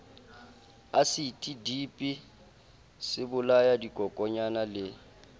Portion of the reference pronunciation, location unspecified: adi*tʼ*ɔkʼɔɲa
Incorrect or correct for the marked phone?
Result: incorrect: kʼ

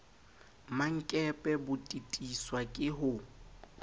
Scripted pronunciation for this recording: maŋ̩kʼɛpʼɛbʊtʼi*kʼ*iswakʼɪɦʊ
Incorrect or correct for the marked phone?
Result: incorrect: tʼ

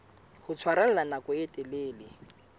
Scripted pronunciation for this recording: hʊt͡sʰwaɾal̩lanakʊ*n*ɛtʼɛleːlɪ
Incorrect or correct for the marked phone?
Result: incorrect: none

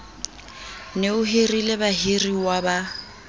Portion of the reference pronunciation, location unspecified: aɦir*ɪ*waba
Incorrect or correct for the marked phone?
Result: incorrect: i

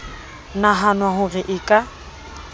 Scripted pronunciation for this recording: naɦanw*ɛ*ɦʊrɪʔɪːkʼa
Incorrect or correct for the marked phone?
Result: incorrect: a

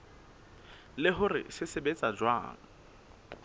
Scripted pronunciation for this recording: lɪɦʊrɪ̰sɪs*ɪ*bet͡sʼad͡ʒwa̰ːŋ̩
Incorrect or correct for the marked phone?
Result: correct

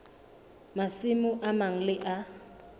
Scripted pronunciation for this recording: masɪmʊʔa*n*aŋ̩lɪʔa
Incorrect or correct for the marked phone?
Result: incorrect: m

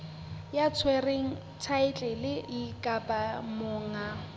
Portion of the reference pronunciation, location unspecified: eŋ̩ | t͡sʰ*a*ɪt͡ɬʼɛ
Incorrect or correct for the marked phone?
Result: correct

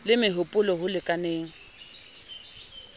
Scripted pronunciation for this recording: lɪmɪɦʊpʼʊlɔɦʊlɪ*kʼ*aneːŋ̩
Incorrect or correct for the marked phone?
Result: correct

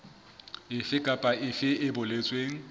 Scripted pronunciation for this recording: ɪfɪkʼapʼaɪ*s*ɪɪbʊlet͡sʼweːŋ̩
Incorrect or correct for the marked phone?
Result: incorrect: f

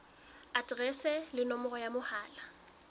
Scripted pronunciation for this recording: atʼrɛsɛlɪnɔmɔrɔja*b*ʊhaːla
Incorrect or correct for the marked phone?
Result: incorrect: m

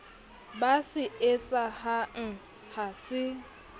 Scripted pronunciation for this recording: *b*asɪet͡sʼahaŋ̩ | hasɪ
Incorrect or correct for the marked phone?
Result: correct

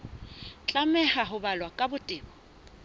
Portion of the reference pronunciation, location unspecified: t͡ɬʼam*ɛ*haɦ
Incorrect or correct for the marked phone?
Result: correct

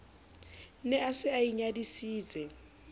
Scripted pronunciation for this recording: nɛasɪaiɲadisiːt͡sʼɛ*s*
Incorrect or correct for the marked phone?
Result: incorrect: none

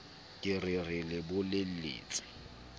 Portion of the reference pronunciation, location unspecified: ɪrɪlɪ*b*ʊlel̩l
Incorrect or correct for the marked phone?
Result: correct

